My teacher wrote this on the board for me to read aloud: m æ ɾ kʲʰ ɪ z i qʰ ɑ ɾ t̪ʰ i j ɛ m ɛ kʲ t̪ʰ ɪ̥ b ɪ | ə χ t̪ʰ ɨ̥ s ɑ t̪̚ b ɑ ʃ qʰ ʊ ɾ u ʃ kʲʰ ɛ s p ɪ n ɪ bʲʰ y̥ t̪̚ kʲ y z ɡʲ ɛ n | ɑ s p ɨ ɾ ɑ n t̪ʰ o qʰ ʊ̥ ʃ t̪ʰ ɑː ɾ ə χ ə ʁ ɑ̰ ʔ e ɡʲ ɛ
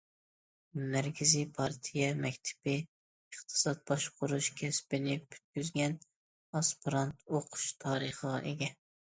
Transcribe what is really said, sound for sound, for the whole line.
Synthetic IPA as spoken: m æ ɾ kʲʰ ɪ z i pʰ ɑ ɾ t̪ʰ i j ɛ m ɛ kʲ t̪ʰ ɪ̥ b ɪ | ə χ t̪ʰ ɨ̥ s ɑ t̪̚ b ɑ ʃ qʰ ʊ ɾ u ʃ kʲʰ ɛ s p ɪ n ɪ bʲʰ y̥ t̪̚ kʲ y z ɡʲ ɛ n | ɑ s p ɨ ɾ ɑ n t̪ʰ o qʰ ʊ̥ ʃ t̪ʰ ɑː ɾ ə χ ə ʁ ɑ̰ ʔ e ɡʲ ɛ

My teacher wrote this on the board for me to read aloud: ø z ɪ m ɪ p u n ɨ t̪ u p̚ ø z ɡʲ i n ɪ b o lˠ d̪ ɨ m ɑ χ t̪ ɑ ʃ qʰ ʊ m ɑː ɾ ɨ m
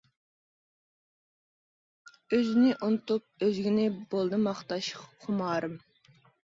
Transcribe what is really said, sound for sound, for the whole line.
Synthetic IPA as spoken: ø z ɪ n ɪ ʔ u n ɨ t̪ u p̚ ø z ɡʲ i n ɪ b o lˠ d̪ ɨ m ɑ χ t̪ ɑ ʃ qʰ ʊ m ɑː ɾ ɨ m

